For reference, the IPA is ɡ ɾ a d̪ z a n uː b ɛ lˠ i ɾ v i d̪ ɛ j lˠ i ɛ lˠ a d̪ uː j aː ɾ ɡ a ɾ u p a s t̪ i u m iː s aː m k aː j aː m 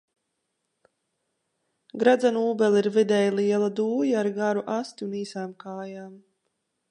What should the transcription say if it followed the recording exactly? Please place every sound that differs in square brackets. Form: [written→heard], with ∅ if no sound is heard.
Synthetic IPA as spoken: ɡ ɾ a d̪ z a n uː b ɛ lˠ i ɾ v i d̪ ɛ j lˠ i ɛ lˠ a d̪ uː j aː ɾ ɡ a ɾ u [p→ʔ] a s t̪ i u [m→n] iː s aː m k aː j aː m